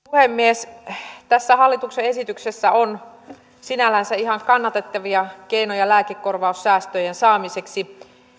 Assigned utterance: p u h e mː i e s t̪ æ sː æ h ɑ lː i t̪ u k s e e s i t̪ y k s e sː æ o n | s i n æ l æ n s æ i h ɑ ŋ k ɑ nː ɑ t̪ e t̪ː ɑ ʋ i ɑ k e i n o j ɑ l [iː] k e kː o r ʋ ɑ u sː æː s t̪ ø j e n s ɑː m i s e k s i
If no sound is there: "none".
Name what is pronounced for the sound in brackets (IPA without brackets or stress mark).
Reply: æː